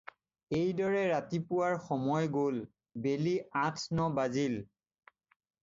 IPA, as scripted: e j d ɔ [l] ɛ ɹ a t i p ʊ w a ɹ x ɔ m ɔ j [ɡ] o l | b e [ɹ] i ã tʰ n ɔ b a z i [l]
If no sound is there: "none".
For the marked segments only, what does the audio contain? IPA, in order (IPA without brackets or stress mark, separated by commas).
ɹ, ɡ, l, l